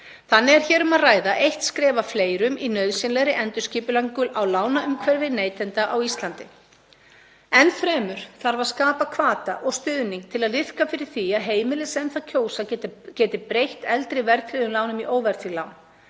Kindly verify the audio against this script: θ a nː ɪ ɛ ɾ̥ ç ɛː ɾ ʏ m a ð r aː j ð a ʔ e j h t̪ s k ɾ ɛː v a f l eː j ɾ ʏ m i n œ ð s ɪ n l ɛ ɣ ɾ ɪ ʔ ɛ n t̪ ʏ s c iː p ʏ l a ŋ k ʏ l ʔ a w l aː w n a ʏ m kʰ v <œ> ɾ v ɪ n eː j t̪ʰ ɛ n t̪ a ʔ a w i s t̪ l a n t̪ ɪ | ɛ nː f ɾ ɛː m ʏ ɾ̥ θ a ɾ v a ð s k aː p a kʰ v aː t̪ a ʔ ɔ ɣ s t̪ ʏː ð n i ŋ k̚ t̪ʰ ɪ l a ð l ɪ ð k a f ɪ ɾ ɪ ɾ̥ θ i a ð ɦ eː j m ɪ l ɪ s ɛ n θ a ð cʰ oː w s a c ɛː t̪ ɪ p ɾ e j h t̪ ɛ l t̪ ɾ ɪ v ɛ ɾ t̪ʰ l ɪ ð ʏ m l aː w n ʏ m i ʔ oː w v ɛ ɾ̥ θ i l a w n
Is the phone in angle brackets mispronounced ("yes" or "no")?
yes